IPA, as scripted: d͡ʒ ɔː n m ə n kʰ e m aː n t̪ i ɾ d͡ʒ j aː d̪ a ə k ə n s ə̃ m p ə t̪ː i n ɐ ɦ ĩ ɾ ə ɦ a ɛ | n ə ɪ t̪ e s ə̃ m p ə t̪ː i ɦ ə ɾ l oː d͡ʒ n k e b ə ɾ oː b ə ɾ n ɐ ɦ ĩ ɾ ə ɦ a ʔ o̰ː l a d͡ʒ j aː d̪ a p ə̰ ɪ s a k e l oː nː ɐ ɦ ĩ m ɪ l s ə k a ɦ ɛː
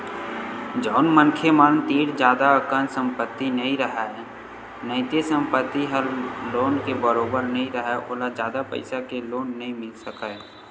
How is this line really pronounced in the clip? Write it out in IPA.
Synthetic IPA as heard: d͡ʒ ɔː n m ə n kʰ e m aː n t̪ iː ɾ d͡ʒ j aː d̪ a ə k ə n s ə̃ m p ə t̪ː i n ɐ ɦ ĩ ɾ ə ɦ a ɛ | n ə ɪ t̪ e s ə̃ m p ə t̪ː i ɦ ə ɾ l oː n k e b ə ɾ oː b ə ɾ n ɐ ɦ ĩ ɾ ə ɦ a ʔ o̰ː l a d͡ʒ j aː d̪ a p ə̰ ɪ s a k e l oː nː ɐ ɦ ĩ m ɪ l s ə k a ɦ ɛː